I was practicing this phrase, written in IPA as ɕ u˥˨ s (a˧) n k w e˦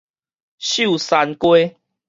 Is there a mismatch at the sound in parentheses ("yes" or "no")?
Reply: no